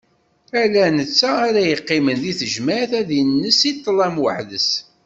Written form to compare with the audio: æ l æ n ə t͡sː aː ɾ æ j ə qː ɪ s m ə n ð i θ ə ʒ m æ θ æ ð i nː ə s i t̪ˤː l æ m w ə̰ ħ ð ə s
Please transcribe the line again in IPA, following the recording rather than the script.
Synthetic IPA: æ l æ n ə t͡sː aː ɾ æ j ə qː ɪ m ə n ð i θ ə ʒ m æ θ æ ð i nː ə s i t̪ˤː l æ m w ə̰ ħ ð ə s